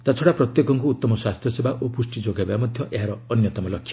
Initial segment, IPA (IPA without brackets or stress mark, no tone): t̪